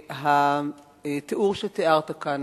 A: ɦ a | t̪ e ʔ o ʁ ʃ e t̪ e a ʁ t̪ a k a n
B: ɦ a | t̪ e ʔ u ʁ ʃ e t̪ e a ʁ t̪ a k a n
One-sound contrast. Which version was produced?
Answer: B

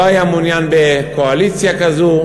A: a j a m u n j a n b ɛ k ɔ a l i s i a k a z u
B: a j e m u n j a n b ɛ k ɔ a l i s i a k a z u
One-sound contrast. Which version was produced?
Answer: A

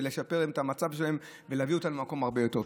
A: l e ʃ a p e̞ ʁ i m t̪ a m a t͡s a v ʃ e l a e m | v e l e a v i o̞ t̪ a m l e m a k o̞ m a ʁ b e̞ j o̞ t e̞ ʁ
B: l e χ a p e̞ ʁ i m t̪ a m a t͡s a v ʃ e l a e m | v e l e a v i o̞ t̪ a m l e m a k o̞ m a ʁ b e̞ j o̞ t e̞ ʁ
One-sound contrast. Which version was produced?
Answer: A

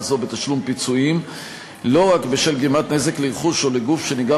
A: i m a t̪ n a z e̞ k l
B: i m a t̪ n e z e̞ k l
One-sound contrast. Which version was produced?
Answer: B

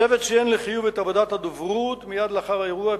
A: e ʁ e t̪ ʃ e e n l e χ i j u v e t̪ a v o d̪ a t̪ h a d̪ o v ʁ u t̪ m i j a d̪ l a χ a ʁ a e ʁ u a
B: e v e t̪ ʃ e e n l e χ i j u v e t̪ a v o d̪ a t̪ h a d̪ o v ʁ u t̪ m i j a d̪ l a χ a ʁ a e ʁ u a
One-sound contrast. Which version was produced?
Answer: B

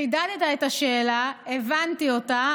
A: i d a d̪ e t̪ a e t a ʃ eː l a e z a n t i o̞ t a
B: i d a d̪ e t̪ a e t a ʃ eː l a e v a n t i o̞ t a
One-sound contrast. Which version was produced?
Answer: B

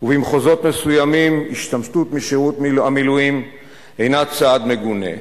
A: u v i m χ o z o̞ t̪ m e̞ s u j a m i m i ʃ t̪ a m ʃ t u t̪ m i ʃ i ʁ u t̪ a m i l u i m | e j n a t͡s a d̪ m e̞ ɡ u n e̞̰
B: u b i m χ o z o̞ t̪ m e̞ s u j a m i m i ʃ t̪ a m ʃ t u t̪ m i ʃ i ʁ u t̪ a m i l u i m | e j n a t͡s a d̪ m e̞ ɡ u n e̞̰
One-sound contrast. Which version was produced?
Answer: A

